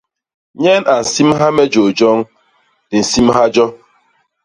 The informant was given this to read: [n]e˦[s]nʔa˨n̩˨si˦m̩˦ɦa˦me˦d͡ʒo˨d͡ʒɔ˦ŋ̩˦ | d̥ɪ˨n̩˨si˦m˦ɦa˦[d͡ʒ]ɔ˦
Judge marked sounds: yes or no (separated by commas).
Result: no, no, yes